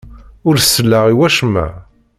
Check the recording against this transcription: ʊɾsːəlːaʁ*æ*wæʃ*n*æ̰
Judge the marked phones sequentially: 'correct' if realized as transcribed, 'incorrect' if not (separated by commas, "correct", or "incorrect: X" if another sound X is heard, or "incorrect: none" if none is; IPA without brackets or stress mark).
incorrect: i, incorrect: m